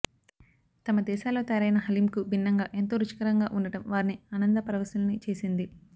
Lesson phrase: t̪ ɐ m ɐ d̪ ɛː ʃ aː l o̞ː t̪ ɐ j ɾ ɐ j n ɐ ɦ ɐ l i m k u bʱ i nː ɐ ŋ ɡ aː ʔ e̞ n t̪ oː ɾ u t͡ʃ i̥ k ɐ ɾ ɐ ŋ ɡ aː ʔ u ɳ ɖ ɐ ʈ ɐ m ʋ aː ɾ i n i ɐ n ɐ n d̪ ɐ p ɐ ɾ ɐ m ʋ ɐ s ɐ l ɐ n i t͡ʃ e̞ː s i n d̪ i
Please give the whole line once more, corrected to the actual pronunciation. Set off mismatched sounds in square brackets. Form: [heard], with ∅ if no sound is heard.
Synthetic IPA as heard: t̪ ɐ m ɐ d̪ ɛː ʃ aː l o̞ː t̪ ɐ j ɾ ɐ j n ɐ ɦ ɐ l i m k u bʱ i nː ɐ ŋ ɡ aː ʔ e̞ n t̪ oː ɾ u t͡ʃ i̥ k ɐ ɾ ɐ ŋ ɡ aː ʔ u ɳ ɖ ɐ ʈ ɐ m ʋ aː ɾ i n i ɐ n ɐ n d̪ ɐ p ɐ ɾ ɐ [∅] ʋ ɐ s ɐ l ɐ n i t͡ʃ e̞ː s i n d̪ i